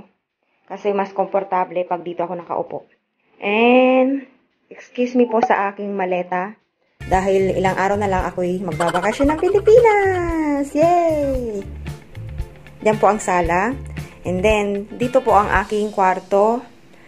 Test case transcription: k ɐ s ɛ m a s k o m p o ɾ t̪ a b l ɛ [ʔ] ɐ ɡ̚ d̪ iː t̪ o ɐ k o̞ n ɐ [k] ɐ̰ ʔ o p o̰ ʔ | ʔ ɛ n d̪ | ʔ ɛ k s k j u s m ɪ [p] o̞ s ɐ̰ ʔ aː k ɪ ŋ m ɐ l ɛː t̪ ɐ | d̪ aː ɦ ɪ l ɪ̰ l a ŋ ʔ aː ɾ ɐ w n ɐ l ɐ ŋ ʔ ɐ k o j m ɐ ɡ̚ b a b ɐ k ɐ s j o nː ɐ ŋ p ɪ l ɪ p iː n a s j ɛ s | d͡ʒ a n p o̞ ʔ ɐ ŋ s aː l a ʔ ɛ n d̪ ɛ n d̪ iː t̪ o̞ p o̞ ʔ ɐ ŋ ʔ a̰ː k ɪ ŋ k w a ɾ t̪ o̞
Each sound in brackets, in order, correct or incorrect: incorrect: p, correct, correct

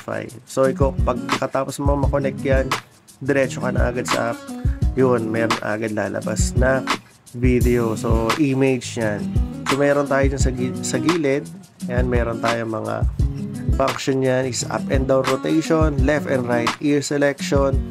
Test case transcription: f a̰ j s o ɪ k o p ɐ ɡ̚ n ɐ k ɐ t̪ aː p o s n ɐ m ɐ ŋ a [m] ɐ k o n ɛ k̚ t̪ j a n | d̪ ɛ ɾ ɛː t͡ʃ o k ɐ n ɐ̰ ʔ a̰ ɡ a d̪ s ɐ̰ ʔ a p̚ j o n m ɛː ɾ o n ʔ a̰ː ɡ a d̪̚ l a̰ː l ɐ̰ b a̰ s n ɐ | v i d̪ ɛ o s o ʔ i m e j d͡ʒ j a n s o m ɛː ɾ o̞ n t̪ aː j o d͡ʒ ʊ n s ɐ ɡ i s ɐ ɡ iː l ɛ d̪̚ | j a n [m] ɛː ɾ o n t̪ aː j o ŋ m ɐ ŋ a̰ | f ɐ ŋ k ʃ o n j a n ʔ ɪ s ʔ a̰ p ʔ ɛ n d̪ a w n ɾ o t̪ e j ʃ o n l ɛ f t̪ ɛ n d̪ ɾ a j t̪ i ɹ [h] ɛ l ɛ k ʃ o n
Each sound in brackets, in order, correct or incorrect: correct, correct, incorrect: s

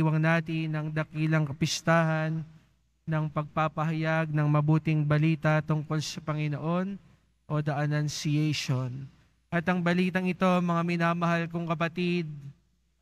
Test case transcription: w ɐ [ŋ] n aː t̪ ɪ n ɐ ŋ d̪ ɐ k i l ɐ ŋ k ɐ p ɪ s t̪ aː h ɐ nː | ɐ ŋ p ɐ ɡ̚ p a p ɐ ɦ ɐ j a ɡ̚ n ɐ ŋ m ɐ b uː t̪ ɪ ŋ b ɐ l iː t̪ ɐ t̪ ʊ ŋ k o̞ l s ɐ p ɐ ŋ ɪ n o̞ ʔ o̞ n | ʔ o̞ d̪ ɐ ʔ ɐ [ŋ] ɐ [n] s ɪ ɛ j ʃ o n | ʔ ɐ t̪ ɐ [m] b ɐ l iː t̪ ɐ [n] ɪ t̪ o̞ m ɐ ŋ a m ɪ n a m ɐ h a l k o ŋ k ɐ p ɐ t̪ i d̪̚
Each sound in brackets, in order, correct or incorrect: correct, incorrect: n, correct, incorrect: ŋ, incorrect: ŋ

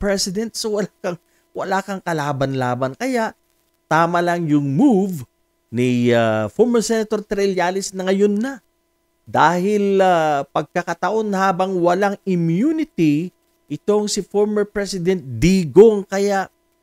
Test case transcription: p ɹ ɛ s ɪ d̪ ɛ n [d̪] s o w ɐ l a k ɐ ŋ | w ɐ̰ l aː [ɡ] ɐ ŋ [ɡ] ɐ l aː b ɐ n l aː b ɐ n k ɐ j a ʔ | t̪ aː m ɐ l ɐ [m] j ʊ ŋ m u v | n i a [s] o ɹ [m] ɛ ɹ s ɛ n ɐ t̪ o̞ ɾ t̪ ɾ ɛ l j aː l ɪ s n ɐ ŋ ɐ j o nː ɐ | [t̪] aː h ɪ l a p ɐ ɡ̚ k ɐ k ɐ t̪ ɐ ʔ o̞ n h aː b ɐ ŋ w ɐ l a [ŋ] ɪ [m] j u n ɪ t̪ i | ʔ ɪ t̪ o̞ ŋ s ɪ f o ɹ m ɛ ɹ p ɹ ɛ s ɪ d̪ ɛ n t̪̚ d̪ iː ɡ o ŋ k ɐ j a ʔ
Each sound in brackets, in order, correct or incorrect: incorrect: t̪, incorrect: k, incorrect: k, incorrect: ŋ, incorrect: f, correct, incorrect: d̪, correct, correct

